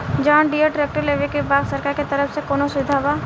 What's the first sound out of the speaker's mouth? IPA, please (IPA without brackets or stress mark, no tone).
d͡ʒ